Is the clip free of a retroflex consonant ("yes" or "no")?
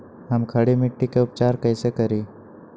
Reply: no